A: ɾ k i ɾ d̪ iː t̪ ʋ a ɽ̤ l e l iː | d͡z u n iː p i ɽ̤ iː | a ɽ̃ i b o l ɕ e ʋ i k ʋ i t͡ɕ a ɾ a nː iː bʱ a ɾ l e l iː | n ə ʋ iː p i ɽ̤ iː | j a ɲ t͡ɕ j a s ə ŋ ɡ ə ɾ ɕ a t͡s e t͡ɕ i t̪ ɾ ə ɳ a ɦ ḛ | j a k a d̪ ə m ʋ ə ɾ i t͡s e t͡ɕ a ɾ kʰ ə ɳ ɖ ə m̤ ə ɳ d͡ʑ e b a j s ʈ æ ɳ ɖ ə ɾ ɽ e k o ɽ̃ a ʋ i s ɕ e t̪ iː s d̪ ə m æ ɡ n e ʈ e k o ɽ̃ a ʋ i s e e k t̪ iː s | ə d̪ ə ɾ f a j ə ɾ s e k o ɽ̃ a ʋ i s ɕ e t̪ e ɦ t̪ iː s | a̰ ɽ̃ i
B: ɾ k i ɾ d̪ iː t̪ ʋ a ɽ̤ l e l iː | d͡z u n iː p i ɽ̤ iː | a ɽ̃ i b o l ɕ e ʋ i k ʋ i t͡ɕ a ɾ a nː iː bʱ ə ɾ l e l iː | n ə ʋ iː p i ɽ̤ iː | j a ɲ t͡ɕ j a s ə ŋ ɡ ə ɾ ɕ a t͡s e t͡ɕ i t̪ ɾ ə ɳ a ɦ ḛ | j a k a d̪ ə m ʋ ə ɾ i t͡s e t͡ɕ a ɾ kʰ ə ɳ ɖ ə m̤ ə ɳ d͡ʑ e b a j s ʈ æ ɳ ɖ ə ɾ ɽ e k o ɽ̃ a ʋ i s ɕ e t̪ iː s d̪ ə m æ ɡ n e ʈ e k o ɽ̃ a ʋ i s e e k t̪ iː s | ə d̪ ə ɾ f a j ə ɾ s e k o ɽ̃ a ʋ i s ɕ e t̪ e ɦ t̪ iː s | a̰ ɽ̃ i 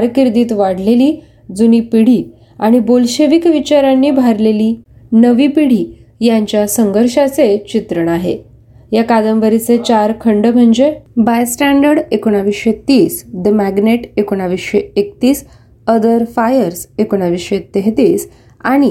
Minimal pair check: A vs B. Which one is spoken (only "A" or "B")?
A